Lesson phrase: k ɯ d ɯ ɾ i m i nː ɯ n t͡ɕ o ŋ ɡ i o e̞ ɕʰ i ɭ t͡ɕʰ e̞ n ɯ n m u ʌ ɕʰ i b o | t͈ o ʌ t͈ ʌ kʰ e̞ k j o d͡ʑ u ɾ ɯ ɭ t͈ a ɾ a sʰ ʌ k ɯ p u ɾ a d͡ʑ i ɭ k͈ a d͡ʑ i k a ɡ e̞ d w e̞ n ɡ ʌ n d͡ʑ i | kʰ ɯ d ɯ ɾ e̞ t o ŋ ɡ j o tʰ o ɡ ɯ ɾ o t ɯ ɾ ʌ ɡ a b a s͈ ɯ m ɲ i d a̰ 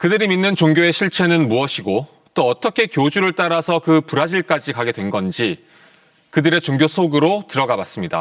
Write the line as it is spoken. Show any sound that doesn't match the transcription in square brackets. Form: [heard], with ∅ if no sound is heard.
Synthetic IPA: k ɯ d ɯ ɾ i m i nː ɯ n t͡ɕ o ŋ ɡ [j] o e̞ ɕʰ i ɭ t͡ɕʰ e̞ n ɯ n m u ʌ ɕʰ i [ɡ] o | t͈ o ʌ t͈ ʌ kʰ e̞ k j o d͡ʑ u ɾ ɯ ɭ t͈ a ɾ a sʰ ʌ k ɯ p u ɾ a d͡ʑ i ɭ k͈ a d͡ʑ i k a ɡ e̞ d w e̞ n ɡ ʌ n d͡ʑ i | [k] ɯ d ɯ ɾ e̞ [t͡ɕ] o ŋ ɡ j o [sʰ] o ɡ ɯ ɾ o t ɯ ɾ ʌ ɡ a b a s͈ ɯ m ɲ i d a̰